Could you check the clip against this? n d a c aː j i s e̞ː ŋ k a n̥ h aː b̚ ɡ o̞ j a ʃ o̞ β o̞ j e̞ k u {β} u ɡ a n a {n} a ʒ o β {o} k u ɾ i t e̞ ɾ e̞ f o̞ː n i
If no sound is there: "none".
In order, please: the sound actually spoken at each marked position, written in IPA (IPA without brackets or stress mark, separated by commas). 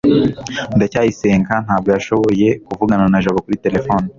v, n, o